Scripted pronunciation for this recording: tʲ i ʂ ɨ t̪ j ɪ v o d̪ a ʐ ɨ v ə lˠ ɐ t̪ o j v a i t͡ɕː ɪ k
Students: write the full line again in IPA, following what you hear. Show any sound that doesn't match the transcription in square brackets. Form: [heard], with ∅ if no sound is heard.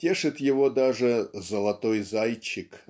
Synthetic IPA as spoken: tʲ [e] ʂ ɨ t̪ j ɪ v o d̪ a ʐ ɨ [z] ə lˠ ɐ t̪ o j [z] a [j] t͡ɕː ɪ k